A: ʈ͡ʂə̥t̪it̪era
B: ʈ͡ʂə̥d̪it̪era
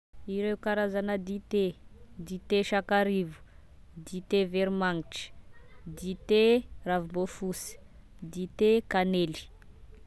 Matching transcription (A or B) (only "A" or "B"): B